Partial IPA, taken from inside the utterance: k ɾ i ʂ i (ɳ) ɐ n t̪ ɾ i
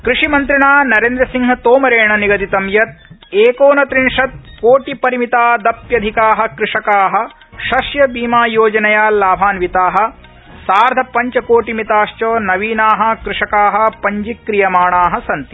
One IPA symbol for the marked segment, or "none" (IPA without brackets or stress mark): m